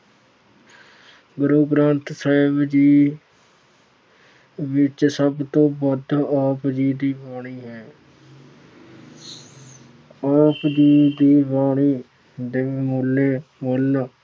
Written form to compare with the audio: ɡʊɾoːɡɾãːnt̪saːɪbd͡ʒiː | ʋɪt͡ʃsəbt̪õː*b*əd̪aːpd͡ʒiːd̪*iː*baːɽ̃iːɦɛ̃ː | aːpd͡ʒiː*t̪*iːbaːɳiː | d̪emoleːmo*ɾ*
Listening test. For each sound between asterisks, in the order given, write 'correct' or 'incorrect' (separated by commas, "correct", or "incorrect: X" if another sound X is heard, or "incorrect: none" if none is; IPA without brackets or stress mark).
correct, correct, incorrect: d̪, incorrect: l